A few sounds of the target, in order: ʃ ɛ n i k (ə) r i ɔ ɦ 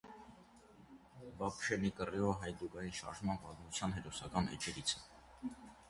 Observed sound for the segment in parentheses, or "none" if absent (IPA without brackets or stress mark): ə